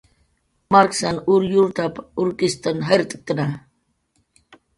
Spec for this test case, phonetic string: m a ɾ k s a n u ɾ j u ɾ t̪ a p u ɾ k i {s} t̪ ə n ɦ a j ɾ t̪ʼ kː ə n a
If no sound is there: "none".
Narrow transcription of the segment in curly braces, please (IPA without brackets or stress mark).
s